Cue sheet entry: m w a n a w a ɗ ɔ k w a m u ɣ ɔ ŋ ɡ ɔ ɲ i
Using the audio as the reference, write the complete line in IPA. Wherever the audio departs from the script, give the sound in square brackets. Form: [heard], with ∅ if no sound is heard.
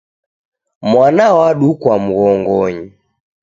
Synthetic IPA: m w a n a w a ɗ [u] k w a m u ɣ ɔ ŋ ɡ ɔ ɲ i